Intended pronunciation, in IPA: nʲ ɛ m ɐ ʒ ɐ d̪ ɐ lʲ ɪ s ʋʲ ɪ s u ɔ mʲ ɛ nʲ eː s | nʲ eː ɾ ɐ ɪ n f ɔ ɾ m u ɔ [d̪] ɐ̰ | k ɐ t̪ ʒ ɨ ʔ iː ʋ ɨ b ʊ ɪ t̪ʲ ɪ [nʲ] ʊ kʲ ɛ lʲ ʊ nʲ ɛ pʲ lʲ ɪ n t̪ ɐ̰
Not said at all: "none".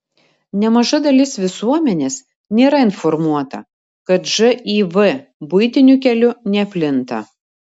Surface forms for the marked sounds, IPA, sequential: t̪, nʲ

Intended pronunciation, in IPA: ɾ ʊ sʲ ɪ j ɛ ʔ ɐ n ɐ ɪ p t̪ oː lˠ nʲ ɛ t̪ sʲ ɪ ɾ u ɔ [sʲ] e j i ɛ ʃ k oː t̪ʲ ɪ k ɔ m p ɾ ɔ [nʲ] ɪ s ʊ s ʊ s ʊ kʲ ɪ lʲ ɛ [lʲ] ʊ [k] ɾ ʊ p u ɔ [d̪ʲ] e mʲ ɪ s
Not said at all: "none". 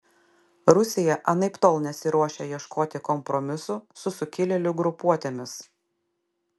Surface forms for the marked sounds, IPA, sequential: ʃʲ, mʲ, lʲ, ɡ, t̪ʲ

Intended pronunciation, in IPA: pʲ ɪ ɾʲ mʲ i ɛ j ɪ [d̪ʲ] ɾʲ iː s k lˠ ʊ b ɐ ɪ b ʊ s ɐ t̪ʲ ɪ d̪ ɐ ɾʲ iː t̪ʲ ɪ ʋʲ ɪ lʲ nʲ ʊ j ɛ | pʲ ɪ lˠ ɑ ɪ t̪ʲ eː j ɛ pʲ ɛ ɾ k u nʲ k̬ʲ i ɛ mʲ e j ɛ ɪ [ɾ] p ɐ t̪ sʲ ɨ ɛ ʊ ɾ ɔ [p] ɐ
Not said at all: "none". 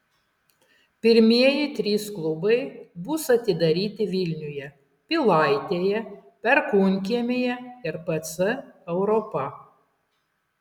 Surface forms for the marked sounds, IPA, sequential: t̪ʲ, ɾ, p

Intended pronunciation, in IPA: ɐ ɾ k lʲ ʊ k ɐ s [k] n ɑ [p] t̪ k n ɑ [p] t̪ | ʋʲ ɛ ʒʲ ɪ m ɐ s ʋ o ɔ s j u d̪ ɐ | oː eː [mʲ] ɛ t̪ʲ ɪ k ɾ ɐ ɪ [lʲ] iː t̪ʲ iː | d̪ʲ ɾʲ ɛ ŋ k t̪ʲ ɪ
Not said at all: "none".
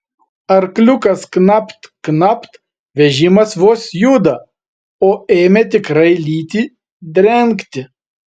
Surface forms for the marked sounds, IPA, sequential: k, p, p, mʲ, lʲ

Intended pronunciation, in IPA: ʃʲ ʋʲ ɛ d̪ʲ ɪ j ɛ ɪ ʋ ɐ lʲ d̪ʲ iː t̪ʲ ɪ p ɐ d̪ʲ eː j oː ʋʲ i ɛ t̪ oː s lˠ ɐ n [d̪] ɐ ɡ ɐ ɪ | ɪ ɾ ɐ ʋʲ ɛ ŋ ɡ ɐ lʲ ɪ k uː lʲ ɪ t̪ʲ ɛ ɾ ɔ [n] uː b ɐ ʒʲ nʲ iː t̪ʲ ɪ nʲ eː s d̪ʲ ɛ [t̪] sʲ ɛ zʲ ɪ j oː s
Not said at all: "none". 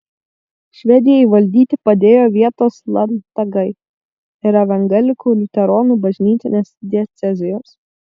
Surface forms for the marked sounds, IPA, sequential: t̪, n, t̪

